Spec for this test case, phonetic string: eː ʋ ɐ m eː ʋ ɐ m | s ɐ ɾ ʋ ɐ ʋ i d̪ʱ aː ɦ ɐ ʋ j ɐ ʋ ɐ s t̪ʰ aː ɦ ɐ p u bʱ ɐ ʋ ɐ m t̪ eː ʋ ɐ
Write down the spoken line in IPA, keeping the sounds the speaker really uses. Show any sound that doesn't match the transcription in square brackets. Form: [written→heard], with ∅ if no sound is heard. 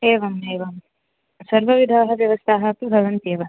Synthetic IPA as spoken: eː ʋ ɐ m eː ʋ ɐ m | s ɐ ɾ ʋ ɐ ʋ i d̪ʱ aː ɦ ɐ ʋ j ɐ ʋ ɐ s t̪ʰ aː ɦ ɐ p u bʱ ɐ ʋ ɐ [m→n] t̪ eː ʋ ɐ